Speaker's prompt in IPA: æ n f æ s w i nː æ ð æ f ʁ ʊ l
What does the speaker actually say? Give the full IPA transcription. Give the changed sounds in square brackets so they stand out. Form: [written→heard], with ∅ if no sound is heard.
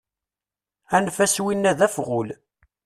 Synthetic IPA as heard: æ n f æ s w i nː æ ð æ f ʁ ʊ l